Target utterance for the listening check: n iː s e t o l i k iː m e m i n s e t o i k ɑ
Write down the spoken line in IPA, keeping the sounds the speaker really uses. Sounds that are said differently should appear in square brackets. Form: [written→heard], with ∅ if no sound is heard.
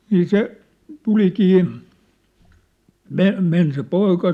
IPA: n iː s e t [o→u] l i k iː m e m [i→e] n s e [t→p] o i k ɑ

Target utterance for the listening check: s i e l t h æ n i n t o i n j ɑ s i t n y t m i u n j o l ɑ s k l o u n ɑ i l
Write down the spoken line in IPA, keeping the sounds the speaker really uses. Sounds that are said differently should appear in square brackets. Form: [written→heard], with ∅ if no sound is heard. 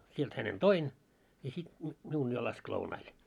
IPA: s i e l t h æ n [i→e] n t o i n j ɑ s i t n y t m i u n j o l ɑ s k l o u n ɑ i l

